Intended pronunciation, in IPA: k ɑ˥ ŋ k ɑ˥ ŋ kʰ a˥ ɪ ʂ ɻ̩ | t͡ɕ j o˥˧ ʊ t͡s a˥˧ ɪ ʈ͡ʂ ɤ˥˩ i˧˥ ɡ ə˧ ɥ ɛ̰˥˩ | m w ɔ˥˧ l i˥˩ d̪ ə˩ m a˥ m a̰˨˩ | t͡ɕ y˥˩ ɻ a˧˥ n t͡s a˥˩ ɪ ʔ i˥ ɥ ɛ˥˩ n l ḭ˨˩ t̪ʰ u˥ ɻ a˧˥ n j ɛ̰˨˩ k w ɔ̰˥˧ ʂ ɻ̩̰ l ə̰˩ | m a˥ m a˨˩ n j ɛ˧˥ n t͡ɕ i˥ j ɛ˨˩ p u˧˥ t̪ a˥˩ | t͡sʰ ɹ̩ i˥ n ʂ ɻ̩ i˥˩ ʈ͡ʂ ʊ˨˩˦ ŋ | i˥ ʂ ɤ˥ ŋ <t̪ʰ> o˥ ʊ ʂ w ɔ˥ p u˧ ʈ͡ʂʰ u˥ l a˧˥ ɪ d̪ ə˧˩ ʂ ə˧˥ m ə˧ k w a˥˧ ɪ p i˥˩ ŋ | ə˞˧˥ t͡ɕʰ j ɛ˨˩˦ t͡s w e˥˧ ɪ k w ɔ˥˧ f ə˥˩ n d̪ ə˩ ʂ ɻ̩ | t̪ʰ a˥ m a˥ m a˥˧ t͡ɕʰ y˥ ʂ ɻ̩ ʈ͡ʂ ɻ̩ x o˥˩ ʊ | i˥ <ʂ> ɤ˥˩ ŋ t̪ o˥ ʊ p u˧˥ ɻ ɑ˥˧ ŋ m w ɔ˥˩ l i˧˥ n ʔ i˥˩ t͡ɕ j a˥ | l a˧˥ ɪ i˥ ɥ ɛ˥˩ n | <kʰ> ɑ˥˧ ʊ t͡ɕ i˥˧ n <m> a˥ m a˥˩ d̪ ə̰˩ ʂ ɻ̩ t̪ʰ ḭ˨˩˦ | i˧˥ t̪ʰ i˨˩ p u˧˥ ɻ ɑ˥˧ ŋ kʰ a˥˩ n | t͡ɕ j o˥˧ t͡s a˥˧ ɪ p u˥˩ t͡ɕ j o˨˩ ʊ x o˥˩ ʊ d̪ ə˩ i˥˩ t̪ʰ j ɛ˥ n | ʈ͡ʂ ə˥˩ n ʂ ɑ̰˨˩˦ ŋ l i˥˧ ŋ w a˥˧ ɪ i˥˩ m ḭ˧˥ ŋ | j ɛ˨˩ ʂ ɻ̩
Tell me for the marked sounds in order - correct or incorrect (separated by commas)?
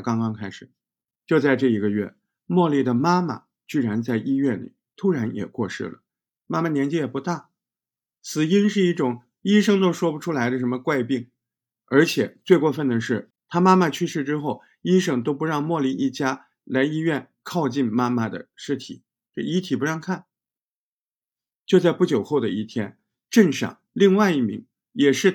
incorrect, correct, correct, correct